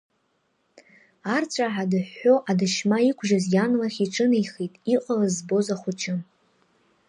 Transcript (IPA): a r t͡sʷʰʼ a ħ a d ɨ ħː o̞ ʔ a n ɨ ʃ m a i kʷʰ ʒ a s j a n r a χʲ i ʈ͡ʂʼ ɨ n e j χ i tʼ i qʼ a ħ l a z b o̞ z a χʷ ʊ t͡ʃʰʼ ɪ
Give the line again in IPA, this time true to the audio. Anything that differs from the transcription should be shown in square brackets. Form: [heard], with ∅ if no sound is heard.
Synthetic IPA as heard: a r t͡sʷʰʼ a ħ a d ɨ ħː o̞ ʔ a [d] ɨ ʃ m a i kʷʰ ʒ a [z] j a n [l] a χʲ i ʈ͡ʂʼ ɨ n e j χ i tʼ i qʼ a [∅] l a z b o̞ z a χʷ ʊ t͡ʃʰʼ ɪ